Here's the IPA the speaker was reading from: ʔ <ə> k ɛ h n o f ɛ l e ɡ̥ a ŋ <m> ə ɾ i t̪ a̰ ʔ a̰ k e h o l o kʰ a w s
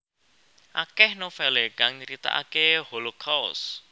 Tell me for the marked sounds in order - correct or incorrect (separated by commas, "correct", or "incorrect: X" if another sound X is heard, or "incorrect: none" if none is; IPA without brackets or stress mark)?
incorrect: a, incorrect: ɲ